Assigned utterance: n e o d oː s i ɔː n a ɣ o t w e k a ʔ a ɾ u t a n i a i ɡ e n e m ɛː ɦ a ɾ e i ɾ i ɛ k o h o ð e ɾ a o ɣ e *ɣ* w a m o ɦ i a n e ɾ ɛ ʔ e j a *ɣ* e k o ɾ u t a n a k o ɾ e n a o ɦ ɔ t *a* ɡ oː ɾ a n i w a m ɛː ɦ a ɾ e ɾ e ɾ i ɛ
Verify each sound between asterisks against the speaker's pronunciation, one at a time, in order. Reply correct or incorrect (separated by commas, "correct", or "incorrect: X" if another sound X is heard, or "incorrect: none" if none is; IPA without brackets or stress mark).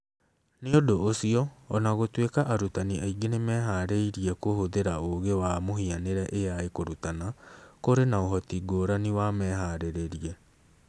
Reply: incorrect: none, incorrect: none, incorrect: i